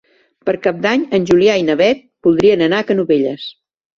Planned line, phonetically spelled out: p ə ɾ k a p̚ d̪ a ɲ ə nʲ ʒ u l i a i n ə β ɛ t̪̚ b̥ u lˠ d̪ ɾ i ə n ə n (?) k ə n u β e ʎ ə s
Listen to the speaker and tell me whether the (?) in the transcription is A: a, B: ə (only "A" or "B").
A